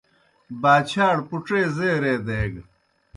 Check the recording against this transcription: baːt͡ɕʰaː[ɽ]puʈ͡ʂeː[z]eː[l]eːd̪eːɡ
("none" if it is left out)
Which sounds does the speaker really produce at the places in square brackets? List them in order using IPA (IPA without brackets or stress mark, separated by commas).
ɽ, z, ɾ